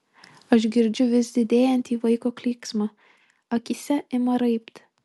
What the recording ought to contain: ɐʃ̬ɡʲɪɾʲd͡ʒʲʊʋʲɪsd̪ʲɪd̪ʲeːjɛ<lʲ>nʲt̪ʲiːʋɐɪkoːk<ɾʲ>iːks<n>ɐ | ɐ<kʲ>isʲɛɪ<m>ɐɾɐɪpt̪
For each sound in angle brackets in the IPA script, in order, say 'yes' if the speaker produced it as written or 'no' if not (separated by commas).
no, no, no, yes, yes